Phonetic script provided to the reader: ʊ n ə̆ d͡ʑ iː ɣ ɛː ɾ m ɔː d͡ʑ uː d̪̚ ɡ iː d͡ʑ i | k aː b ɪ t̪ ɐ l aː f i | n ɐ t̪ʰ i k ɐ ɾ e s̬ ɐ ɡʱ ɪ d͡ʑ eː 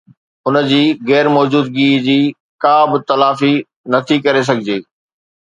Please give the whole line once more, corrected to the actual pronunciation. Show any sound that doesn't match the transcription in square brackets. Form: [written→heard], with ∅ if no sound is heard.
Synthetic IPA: ʊ n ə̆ d͡ʑ iː ɣ ɛː ɾ m ɔː d͡ʑ uː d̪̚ ɡ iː d͡ʑ [i→iː] | k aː b ɪ t̪ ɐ l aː f i | n ɐ t̪ʰ i k ɐ ɾ e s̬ ɐ ɡʱ ɪ d͡ʑ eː

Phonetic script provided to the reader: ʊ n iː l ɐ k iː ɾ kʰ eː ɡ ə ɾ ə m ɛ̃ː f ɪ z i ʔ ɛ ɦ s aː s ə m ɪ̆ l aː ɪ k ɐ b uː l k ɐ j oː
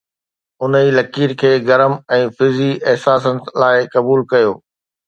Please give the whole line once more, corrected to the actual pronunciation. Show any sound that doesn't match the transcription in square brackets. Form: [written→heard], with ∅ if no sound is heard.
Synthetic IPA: ʊ n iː l ɐ k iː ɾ kʰ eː ɡ [ə→ɐ] ɾ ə m ɛ̃ː f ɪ z i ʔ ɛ ɦ s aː s ə [m→n] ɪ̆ l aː ɪ k ɐ b uː l k ɐ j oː

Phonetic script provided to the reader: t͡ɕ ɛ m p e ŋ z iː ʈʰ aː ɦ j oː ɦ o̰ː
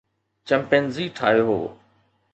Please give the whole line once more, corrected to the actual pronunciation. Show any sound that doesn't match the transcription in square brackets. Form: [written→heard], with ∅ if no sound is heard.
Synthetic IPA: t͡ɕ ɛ m p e [ŋ→n] z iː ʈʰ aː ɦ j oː ɦ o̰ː

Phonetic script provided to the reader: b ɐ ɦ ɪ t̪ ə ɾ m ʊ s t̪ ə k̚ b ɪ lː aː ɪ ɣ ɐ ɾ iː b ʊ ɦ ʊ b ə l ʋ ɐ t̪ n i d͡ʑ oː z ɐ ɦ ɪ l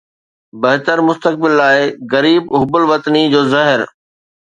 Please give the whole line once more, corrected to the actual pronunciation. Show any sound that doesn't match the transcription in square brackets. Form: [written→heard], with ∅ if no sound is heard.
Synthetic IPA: b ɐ ɦ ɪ t̪ ə ɾ m ʊ s t̪ ə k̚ b ɪ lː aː ɪ ɣ ɐ ɾ iː b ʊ ɦ ʊ b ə l ʋ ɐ t̪ n i d͡ʑ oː z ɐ ɦ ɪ [l→ɾ]

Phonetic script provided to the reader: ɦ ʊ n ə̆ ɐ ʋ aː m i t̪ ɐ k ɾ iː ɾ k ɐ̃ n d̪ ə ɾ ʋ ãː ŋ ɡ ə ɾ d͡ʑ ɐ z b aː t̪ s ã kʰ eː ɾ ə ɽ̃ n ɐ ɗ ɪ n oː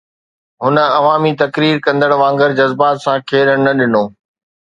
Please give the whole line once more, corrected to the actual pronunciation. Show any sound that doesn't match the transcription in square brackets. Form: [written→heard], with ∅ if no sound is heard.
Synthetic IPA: ɦ ʊ n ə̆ ɐ ʋ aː m i t̪ ɐ k ɾ iː ɾ k ɐ̃ n d̪ ə [ɾ→ɽ] ʋ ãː ŋ ɡ ə ɾ d͡ʑ ɐ z b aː t̪ s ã kʰ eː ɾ ə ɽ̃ n ɐ ɗ ɪ n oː

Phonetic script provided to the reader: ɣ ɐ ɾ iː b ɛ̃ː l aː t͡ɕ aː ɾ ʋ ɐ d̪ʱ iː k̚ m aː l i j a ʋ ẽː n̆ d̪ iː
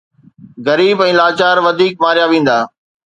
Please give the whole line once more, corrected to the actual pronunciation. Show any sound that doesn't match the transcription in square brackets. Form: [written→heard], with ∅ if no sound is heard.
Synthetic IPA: ɣ ɐ ɾ iː b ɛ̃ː l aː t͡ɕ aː ɾ ʋ ɐ d̪ʱ iː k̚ m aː [l→ɾ] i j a ʋ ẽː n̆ d̪ [iː→aː]

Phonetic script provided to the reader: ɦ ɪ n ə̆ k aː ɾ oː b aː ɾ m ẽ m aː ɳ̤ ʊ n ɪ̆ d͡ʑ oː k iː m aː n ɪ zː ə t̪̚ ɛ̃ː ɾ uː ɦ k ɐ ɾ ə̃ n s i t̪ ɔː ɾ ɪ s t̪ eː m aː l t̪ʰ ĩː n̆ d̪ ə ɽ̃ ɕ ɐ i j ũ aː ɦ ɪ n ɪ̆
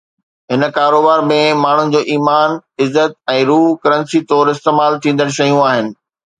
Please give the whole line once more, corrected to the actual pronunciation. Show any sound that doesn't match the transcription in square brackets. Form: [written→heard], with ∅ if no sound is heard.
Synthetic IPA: ɦ ɪ n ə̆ k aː ɾ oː b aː ɾ m ẽ m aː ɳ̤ ʊ n ɪ̆ d͡ʑ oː [k→ʔ] iː m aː n ɪ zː ə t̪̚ ɛ̃ː ɾ uː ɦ k ɐ ɾ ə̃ n s i t̪ ɔː ɾ ɪ s t̪ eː m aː l t̪ʰ ĩː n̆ d̪ ə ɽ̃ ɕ ɐ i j ũ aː ɦ ɪ n ɪ̆

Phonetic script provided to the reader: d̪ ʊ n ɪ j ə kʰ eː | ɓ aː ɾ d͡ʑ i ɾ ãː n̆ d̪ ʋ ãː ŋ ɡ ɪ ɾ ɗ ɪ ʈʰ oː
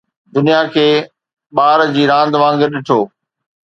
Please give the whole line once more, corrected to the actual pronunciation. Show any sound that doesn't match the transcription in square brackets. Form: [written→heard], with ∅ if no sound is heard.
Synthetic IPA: d̪ ʊ n [ɪ→i] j [ə→a] kʰ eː | ɓ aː ɾ d͡ʑ [i→iː] ɾ ãː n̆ d̪ ʋ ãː ŋ ɡ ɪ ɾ ɗ ɪ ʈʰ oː

